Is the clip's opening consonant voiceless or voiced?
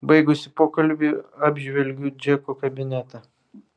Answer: voiced